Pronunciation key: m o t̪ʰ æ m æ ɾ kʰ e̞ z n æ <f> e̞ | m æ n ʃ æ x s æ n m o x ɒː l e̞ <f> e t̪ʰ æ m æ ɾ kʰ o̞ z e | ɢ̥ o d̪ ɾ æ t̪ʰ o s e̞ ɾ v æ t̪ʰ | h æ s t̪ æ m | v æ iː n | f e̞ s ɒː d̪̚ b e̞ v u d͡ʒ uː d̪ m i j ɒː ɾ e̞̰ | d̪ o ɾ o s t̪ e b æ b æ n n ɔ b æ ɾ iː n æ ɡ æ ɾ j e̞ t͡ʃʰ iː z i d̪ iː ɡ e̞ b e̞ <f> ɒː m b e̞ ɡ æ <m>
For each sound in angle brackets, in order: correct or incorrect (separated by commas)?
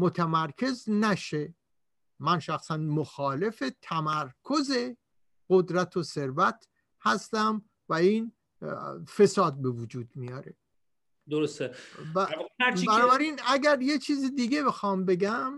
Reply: incorrect, correct, incorrect, correct